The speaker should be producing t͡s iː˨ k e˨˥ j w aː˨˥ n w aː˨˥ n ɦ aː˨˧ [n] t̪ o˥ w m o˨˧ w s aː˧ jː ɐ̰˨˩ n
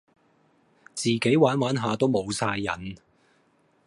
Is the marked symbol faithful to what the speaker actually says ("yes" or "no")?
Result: no